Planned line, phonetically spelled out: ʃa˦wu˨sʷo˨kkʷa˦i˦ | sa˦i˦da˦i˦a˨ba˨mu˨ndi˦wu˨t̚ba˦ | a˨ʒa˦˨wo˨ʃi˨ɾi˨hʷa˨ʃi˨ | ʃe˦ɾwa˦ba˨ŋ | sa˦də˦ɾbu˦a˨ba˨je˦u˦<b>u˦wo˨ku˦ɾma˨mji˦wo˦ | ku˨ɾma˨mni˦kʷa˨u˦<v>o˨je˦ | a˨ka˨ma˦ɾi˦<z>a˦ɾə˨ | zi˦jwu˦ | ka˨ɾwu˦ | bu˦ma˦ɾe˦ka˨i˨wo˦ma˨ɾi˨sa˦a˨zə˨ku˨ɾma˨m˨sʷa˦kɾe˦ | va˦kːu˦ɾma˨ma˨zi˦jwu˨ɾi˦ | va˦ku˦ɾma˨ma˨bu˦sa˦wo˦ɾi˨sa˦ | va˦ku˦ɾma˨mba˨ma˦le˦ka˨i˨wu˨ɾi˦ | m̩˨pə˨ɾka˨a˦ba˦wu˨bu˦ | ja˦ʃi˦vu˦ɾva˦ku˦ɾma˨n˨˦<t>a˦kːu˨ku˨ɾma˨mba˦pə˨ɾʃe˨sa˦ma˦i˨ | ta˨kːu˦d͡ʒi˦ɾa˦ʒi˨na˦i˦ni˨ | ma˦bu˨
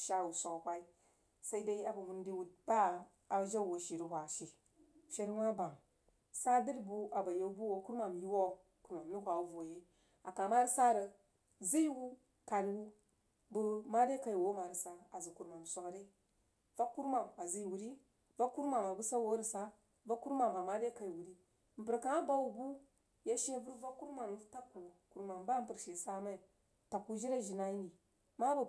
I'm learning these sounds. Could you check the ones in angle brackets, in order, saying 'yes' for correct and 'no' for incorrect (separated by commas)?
yes, yes, no, yes